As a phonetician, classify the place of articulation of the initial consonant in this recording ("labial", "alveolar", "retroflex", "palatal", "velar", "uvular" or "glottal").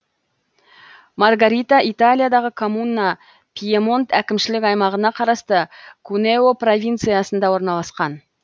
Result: labial